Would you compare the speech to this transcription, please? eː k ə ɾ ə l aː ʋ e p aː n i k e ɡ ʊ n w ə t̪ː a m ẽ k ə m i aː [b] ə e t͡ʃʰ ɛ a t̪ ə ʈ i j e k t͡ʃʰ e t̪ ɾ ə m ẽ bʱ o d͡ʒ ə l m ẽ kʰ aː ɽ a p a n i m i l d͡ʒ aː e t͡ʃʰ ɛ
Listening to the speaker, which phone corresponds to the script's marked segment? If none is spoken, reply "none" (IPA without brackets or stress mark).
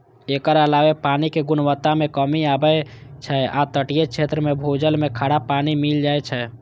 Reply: b